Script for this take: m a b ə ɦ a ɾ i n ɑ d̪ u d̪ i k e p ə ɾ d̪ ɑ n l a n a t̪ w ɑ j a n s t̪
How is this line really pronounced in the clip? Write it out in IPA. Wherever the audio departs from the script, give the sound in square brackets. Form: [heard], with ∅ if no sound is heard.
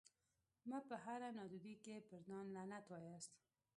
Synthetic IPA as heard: m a [p] ə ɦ a ɾ [a] n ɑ d̪ u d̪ i k e p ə ɾ d̪ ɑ n l a n a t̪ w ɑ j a [∅] s t̪